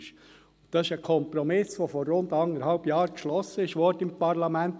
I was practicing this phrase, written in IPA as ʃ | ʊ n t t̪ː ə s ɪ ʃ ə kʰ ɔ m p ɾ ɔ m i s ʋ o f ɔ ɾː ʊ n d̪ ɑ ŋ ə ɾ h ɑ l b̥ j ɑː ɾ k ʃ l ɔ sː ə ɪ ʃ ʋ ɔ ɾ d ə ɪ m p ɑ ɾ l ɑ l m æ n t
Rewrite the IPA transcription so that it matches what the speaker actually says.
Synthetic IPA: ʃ | ʊ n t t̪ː ɑ s ɪ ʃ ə kʰ ɔ m p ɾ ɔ m ɪ s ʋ o f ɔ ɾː ʊ n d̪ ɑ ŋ ə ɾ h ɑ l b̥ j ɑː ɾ k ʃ l ɔ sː ə ɪ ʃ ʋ ɔ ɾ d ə ɪ m p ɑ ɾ l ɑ m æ n t